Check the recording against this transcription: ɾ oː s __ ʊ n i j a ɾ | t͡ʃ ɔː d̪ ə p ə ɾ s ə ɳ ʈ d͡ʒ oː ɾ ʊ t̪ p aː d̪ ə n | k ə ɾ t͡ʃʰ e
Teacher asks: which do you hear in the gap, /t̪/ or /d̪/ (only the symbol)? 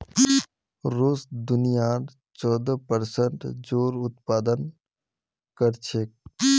d̪